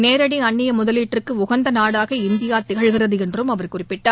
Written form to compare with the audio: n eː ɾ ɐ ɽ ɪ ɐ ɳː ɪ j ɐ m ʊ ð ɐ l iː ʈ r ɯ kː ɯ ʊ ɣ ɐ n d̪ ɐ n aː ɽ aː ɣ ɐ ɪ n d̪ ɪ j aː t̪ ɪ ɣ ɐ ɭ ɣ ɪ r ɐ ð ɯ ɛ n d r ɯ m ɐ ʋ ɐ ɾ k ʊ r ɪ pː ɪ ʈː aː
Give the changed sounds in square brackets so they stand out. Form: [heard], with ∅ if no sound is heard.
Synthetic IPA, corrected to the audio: n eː ɾ ɐ ɽ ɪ ɐ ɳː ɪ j ɐ m ʊ ð ɐ l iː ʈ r ɯ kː ɯ ʊ ɣ ɐ n d̪ ɐ n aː ɽ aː ɣ ɐ ɪ n d̪ ɪ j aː t̪ ɪ ɣ ɐ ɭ ɣ ɪ r ɐ ð ɯ ɛ n d r ɯ m ɐ ʋ ɐ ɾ k ʊ r ɪ pː ɪ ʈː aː